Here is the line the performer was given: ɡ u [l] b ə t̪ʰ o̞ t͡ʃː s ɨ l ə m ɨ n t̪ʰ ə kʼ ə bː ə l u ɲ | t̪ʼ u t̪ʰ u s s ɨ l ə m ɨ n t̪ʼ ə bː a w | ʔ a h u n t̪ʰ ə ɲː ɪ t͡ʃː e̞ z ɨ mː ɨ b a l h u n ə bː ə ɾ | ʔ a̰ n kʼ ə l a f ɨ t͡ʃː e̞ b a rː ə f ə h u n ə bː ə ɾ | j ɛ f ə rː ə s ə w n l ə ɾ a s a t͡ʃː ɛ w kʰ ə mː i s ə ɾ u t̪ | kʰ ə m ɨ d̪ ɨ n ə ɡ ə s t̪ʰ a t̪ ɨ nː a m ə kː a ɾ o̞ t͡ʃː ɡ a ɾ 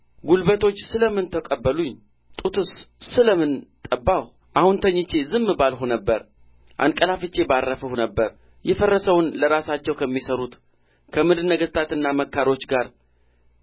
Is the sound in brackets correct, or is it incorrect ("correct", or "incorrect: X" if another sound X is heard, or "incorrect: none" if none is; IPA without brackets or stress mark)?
correct